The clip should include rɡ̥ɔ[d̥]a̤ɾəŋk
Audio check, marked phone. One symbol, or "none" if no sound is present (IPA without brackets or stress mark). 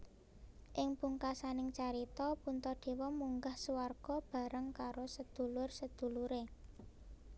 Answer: b̥